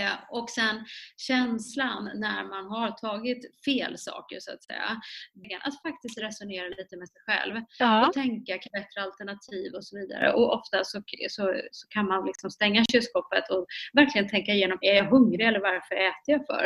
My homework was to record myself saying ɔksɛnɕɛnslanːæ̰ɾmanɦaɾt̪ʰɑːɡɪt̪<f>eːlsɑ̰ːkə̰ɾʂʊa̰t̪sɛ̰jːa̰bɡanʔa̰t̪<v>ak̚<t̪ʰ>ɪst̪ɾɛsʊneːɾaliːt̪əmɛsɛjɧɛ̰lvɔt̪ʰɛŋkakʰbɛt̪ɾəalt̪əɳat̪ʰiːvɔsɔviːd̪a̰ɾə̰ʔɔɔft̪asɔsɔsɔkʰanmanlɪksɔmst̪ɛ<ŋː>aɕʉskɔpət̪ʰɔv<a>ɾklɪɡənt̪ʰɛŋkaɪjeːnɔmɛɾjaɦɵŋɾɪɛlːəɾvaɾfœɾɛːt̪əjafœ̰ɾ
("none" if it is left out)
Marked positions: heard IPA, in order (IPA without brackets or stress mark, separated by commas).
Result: f, f, t̪, ŋː, æ